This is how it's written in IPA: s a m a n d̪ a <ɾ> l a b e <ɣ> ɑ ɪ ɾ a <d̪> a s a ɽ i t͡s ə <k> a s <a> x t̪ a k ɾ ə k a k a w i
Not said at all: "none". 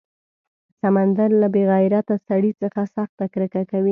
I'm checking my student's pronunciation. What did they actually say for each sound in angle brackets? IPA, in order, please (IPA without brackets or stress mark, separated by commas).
ɾ, ɣ, t̪, x, a